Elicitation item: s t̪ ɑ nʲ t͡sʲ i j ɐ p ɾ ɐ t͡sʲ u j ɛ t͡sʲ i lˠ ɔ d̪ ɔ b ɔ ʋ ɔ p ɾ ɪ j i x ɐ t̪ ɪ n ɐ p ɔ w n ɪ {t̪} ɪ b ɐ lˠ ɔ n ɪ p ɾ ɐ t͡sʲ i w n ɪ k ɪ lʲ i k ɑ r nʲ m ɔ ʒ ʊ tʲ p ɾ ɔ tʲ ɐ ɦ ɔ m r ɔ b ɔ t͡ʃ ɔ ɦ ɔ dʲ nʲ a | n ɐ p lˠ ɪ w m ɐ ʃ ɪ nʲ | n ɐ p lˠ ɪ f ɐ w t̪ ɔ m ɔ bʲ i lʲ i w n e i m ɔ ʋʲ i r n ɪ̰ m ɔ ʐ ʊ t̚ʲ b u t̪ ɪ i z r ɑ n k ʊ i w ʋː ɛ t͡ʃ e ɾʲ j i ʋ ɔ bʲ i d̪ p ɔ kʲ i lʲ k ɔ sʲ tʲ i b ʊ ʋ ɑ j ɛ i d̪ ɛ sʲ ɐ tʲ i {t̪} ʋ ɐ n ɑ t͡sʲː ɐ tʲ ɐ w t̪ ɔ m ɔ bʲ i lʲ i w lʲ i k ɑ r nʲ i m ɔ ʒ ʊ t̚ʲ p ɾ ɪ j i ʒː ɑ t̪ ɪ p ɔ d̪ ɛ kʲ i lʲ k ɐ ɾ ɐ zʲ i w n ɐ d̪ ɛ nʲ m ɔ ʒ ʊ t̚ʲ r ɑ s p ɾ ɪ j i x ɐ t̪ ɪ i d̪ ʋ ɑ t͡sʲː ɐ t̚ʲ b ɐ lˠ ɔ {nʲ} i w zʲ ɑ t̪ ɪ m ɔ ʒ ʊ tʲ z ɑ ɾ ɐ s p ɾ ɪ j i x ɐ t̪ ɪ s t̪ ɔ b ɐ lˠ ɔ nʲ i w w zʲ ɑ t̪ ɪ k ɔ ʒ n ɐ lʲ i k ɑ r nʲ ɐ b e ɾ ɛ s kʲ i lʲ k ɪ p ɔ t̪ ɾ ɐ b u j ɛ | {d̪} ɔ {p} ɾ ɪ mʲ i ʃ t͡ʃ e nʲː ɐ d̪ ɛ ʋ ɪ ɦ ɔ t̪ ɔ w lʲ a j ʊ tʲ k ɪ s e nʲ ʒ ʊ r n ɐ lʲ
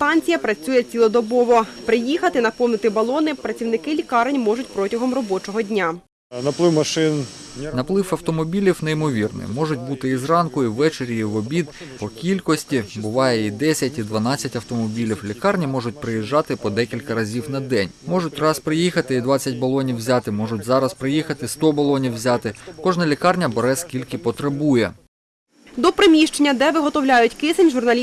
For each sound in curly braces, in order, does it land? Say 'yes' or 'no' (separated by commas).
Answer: yes, no, yes, yes, yes